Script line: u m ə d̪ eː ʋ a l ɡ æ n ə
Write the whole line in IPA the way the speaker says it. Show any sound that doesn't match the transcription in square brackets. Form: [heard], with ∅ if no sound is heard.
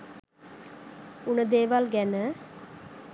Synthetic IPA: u [n] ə d̪ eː ʋ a l ɡ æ n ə